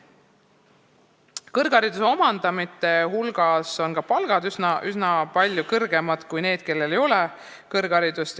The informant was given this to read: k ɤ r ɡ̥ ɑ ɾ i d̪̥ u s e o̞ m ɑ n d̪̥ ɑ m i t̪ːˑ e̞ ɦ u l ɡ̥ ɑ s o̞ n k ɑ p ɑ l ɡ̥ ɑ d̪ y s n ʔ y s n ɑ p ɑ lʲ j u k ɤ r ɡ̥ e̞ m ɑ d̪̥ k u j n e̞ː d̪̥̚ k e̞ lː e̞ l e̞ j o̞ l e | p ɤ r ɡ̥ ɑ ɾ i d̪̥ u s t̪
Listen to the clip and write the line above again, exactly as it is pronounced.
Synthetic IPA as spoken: k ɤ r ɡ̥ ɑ ɾ i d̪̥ u s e o̞ m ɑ n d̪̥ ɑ m i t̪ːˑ e̞ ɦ u l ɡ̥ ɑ s o̞ n k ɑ p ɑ l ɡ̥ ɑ d̪ y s n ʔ y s n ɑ p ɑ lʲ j u k ɤ r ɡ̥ e̞ m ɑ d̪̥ k u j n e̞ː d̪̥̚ k e̞ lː e̞ l e̞ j o̞ l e | k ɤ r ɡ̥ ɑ ɾ i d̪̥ u s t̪